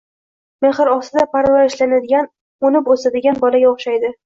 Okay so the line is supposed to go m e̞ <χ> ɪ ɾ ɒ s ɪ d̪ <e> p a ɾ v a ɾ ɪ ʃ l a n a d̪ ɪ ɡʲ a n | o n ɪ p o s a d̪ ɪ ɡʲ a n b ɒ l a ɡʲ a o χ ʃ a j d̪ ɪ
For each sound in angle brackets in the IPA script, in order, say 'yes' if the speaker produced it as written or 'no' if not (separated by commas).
yes, no